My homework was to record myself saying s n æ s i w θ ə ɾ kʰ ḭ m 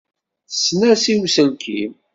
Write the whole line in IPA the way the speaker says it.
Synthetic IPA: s n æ s i w s ə l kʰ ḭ m